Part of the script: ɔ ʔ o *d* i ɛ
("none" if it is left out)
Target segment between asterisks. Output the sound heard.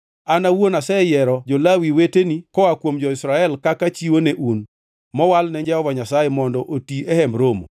t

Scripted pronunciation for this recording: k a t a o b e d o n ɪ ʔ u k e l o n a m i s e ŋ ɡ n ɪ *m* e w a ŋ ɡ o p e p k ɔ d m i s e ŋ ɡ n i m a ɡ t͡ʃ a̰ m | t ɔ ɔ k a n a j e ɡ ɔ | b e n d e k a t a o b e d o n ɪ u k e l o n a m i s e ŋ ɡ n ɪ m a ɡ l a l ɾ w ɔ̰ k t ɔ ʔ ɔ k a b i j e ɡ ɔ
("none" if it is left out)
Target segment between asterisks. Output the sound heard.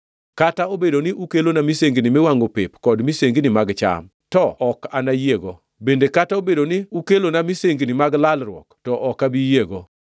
m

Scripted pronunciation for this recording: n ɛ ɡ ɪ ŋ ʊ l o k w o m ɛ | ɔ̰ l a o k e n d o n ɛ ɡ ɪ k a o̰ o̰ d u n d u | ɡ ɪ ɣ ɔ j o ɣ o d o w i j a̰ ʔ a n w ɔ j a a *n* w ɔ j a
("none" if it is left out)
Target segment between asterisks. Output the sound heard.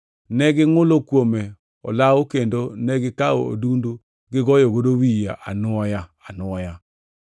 n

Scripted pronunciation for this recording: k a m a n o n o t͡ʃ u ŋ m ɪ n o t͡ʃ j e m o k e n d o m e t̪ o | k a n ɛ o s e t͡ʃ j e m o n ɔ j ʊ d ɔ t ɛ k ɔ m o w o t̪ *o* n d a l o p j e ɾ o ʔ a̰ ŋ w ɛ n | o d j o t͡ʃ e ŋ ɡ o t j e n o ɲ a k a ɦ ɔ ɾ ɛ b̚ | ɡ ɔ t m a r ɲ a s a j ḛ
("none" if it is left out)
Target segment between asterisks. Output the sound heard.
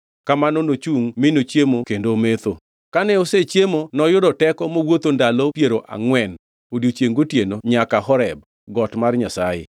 o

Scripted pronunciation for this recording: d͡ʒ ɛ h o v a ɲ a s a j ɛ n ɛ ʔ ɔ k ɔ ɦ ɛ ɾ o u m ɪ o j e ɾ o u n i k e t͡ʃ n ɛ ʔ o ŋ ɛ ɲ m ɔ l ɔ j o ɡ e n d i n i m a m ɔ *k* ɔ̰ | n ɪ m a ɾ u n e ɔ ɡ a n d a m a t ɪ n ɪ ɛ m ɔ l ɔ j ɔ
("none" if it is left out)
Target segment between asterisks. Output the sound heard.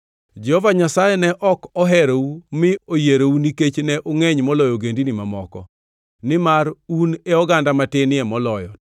k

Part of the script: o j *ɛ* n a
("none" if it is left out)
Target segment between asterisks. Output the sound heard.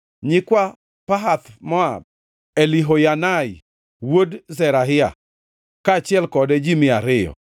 a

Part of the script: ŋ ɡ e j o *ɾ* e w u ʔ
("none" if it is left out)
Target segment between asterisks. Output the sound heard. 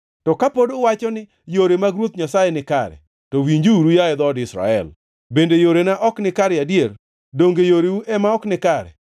ɾ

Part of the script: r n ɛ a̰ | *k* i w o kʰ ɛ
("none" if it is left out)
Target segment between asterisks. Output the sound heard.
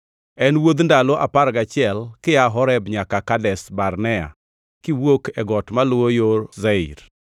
k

